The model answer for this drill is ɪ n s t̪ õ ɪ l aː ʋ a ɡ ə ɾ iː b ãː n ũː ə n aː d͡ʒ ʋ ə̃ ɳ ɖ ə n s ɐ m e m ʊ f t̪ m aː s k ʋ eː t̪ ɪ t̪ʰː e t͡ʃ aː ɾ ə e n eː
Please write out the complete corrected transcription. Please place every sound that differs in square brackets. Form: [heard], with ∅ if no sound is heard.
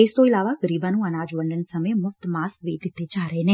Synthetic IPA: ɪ [∅] s t̪ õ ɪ l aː ʋ a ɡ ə ɾ iː b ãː n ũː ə n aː d͡ʒ ʋ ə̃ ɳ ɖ ə n s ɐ m e m ʊ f t̪ m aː s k ʋ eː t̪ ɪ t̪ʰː e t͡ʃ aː ɾ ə e n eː